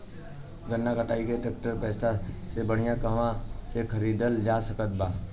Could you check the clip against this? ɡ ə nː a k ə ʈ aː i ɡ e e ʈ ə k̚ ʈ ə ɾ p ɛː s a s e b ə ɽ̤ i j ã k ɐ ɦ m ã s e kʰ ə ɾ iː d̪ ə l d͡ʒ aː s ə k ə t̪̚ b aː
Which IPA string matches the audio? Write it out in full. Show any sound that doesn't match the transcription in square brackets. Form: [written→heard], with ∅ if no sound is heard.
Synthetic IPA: ɡ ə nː a k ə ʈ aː i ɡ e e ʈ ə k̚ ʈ ə ɾ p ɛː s a s e b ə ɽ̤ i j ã k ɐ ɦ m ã s e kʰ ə ɾ iː d̪ ə l d͡ʒ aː s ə k ə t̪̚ b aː